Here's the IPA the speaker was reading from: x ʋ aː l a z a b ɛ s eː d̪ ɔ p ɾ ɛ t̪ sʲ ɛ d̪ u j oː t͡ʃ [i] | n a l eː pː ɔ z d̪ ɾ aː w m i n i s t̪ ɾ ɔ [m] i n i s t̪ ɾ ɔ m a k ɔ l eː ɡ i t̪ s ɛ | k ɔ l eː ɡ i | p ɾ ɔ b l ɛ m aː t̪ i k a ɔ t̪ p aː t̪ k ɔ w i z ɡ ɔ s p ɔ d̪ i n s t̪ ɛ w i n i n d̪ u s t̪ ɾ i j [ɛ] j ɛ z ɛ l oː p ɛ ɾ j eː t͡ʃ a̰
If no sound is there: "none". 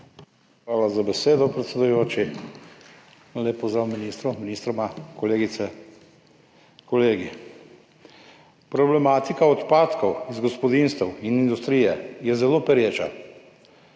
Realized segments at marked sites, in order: i, m, ɛ

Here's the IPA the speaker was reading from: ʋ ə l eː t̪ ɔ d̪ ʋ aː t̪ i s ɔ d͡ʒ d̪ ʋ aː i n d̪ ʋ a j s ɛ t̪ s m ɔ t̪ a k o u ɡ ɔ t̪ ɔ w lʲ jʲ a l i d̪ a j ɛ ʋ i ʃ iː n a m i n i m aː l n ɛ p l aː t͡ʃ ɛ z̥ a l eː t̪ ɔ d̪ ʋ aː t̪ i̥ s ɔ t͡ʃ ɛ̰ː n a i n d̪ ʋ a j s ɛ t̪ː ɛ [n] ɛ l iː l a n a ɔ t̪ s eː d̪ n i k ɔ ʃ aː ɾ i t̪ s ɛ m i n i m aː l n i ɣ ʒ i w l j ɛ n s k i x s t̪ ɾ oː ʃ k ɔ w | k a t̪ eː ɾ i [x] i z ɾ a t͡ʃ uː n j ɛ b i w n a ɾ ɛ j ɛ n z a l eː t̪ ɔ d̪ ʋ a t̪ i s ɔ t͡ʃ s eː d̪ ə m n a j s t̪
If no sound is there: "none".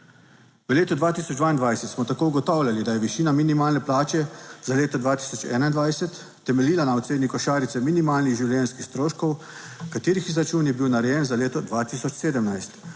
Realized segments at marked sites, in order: m, x

